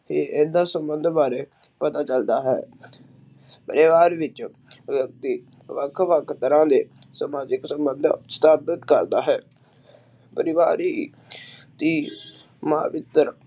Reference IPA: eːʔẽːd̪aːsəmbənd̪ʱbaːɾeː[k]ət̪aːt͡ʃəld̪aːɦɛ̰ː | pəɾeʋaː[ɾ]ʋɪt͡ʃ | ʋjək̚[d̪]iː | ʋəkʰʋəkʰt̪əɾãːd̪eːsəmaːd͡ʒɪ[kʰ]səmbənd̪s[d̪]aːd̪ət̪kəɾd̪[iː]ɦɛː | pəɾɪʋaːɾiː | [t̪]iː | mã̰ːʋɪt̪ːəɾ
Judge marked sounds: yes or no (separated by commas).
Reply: no, yes, no, no, no, no, yes